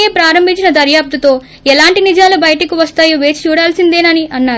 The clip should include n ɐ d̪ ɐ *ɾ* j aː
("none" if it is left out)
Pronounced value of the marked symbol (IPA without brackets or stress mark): ɾ